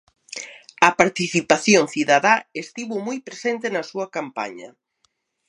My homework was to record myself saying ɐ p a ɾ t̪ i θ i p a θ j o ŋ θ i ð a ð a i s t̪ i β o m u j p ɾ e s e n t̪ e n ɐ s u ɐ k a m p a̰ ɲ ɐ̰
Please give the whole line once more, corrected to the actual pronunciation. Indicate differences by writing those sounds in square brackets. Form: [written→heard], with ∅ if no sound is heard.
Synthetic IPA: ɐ p a ɾ t̪ i θ i p a θ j o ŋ θ i ð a ð a [i→e] s t̪ i β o m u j p ɾ e s e n t̪ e n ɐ s u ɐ k a m p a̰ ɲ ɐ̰